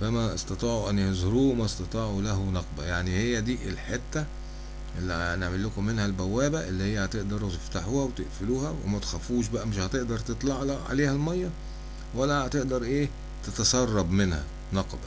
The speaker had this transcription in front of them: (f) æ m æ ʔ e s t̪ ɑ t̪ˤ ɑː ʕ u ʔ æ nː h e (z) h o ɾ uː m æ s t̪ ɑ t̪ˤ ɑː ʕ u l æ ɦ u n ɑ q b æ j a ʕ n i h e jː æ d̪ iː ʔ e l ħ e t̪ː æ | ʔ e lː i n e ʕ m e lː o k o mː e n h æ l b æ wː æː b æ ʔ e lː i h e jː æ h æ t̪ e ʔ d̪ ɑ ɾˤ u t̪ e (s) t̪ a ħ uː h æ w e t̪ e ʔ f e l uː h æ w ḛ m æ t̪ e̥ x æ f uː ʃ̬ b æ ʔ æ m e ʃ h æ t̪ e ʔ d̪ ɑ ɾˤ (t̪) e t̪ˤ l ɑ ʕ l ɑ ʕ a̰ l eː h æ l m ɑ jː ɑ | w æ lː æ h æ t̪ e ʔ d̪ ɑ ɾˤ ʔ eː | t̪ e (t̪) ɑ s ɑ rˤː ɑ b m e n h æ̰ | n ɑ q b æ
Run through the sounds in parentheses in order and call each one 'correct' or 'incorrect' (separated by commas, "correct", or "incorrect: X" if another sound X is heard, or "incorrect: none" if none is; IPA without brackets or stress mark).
correct, correct, incorrect: f, correct, correct